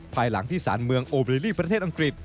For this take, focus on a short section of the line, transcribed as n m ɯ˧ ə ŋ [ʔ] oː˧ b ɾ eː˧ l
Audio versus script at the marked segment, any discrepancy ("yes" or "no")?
no